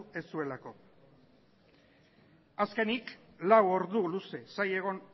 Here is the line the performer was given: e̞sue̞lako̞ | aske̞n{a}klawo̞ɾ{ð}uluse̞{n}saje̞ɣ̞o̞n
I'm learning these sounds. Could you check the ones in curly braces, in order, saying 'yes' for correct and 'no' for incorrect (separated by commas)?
no, yes, no